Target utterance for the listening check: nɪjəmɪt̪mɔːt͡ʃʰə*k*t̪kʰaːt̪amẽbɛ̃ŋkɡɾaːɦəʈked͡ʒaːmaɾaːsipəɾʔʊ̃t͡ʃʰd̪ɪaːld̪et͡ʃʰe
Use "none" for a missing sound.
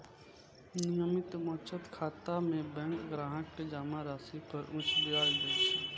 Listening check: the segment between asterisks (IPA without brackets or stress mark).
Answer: none